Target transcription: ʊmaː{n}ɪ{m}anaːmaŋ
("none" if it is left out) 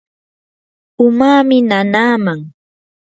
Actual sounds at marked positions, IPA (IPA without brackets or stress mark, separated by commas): m, n